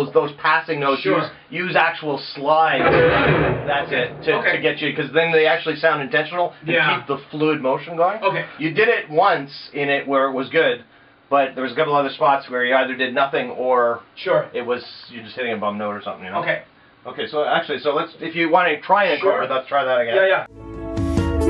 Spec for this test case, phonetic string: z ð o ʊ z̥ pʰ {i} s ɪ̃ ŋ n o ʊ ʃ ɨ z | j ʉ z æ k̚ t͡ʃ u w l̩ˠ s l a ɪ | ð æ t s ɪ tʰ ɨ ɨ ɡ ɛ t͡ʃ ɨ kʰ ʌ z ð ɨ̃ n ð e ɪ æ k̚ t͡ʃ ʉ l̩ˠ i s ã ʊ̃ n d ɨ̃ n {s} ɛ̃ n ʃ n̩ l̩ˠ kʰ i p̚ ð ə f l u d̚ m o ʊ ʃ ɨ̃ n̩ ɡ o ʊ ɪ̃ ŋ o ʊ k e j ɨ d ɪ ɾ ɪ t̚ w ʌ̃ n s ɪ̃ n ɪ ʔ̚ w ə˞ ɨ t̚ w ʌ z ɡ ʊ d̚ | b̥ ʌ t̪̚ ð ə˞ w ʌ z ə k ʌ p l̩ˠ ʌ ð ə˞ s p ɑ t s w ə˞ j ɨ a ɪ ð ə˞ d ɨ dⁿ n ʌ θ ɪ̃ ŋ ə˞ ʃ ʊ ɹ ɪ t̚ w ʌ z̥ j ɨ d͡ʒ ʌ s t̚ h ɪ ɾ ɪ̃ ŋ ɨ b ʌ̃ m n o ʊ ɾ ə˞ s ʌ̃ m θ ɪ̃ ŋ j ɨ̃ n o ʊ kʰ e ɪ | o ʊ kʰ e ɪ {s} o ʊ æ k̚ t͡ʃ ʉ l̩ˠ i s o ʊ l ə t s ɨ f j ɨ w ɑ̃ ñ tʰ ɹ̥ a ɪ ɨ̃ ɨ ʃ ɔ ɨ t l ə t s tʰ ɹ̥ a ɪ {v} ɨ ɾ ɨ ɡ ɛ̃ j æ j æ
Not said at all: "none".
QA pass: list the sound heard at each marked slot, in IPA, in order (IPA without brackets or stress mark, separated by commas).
æ, t, s, ð